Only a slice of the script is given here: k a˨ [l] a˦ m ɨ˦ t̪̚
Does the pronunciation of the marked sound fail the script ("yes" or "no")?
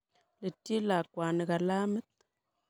no